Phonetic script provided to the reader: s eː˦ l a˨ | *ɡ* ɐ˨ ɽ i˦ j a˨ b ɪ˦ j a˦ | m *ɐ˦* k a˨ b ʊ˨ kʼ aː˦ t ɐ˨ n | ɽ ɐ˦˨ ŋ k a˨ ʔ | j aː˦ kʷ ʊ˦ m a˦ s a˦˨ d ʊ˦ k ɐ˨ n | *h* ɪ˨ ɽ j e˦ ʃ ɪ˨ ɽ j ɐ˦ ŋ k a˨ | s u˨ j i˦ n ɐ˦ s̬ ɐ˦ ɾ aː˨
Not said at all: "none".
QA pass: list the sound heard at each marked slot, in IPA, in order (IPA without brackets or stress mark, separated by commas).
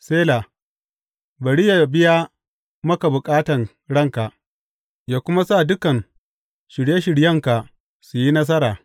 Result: b, ɐ˦, ʃ